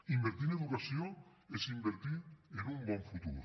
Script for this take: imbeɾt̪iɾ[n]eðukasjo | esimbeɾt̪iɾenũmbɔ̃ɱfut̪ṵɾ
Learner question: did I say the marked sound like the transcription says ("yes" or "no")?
yes